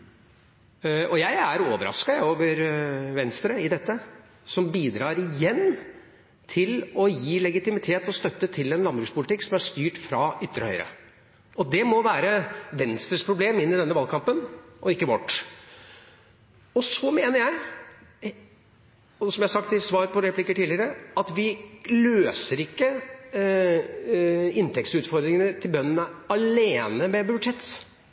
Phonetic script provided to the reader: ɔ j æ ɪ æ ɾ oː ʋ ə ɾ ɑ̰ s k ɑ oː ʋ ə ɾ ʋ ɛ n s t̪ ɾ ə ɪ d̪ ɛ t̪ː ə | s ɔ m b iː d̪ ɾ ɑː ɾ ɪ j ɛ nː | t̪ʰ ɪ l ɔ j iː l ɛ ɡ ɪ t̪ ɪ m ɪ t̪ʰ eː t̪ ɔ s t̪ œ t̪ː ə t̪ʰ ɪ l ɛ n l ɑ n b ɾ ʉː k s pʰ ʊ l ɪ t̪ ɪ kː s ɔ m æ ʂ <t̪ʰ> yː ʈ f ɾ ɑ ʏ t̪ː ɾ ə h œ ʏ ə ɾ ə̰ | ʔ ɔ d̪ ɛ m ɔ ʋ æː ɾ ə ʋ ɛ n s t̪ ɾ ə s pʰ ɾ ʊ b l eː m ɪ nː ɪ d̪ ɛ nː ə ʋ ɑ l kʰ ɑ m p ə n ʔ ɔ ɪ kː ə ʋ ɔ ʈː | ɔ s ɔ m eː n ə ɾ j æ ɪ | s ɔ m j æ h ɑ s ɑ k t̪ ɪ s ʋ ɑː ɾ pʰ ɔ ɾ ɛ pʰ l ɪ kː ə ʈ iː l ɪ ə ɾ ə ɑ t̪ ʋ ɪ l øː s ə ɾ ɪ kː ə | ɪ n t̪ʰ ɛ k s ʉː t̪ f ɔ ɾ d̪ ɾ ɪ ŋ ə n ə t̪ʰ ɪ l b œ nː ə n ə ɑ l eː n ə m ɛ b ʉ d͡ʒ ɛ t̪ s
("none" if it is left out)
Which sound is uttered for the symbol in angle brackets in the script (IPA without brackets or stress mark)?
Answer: t̪